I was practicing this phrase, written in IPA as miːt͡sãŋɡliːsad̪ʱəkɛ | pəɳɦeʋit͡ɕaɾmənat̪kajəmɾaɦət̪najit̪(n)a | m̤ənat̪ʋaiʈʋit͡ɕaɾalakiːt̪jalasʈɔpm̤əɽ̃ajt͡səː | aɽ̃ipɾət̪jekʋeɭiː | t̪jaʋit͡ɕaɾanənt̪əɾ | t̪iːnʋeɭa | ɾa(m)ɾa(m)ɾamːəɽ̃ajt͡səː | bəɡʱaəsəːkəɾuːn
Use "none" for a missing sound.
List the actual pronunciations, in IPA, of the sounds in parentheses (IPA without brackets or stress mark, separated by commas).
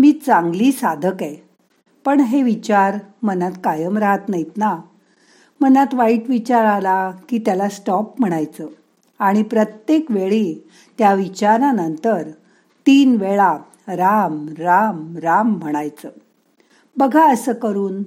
n, m, m